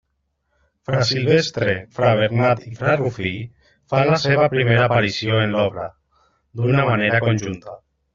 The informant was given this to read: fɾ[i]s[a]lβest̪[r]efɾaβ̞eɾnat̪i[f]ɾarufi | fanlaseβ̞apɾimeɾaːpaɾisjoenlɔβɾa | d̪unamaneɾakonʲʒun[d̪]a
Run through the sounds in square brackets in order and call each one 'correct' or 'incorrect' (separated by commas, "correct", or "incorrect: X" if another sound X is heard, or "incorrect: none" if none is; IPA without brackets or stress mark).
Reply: incorrect: a, incorrect: i, incorrect: ɾ, correct, incorrect: t̪